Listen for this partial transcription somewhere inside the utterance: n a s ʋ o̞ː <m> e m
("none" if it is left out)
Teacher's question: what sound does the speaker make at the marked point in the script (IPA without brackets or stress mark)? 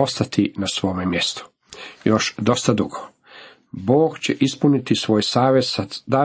m